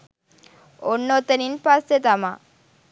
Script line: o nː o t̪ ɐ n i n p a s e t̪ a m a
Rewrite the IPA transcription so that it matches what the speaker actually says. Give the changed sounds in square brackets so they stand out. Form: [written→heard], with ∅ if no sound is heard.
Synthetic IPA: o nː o t̪ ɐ n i n p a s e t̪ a m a